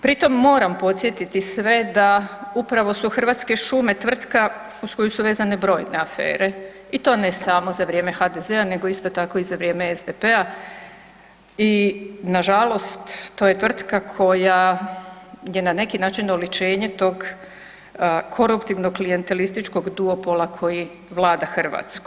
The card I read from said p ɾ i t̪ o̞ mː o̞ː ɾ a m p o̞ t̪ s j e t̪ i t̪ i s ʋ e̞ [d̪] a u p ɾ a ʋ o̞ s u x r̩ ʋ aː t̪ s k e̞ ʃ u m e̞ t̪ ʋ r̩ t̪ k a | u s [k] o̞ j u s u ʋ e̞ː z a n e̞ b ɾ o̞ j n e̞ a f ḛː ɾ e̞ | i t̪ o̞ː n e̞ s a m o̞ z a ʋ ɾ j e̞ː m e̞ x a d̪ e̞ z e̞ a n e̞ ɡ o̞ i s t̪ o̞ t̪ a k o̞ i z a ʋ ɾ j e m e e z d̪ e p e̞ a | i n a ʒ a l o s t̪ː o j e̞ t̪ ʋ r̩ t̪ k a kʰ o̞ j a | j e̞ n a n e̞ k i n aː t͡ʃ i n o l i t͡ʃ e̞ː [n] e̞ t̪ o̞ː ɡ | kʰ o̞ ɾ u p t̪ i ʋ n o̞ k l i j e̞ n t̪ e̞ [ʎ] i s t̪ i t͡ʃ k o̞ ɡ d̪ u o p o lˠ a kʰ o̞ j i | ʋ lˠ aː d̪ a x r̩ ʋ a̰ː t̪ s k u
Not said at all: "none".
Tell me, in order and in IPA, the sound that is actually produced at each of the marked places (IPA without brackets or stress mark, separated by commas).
d̪, k, ɲ, l